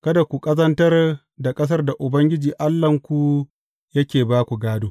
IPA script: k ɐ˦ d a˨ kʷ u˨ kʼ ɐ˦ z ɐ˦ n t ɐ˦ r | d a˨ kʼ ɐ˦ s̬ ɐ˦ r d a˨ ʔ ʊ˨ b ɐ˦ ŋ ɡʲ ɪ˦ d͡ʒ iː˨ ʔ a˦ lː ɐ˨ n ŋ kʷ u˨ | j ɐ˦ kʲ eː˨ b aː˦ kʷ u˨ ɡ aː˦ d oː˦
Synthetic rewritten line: k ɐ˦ d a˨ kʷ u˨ kʼ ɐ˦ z ɐ˦ n t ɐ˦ r | d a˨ kʼ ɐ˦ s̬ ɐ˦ r d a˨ ʔ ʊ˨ b ɐ˦ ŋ ɡʲ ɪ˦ d͡ʒ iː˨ ʔ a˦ lː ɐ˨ ŋ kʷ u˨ | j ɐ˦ kʲ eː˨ b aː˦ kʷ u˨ ɡ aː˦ d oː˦